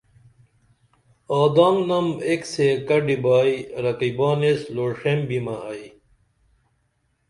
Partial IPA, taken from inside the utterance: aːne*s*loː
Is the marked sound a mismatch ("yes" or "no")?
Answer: no